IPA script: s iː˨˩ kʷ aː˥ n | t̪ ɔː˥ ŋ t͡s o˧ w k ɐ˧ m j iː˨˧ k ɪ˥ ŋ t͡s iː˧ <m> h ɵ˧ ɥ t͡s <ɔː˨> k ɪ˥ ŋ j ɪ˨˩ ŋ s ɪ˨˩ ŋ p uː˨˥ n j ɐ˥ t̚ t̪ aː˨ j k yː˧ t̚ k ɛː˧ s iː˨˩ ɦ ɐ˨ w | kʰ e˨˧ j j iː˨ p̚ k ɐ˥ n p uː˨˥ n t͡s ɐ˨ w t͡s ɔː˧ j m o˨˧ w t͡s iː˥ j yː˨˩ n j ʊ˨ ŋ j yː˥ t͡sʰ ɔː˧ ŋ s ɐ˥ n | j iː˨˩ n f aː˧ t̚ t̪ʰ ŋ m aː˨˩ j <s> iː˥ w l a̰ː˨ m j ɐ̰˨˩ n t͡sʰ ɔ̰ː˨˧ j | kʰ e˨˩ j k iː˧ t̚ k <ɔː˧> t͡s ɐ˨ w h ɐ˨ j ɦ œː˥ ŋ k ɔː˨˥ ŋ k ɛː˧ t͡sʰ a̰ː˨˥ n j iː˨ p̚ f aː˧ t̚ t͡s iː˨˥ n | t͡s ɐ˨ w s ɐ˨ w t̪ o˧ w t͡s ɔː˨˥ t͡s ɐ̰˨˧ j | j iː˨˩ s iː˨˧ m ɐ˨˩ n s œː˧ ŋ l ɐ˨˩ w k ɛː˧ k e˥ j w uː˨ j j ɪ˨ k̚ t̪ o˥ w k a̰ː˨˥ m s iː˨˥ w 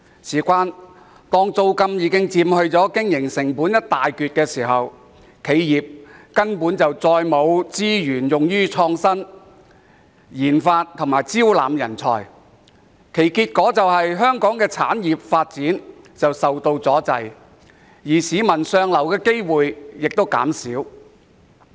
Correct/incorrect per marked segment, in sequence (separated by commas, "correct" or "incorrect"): correct, incorrect, incorrect, incorrect